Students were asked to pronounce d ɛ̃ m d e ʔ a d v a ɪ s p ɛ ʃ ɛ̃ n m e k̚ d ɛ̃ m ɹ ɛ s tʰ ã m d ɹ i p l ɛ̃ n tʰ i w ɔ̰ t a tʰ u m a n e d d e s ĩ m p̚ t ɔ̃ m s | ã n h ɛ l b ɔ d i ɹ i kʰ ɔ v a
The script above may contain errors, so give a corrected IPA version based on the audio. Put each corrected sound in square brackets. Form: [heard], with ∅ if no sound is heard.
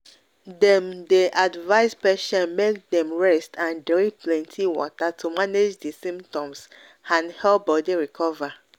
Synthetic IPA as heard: d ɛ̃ m d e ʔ a d v a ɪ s p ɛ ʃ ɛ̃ n m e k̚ d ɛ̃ m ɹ ɛ s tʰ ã [n] d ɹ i p l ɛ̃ n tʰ i w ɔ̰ t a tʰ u m a n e [d͡ʒ] d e s ĩ m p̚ t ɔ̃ m s | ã n h ɛ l b ɔ d i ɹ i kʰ ɔ v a